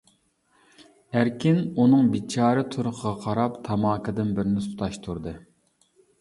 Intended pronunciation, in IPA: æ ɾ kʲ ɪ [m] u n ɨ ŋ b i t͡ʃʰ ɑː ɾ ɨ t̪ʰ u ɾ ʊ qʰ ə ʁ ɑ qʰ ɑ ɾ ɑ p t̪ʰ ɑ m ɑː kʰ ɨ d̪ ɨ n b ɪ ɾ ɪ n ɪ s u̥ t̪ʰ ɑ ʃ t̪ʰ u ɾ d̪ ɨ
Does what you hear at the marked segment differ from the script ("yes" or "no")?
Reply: yes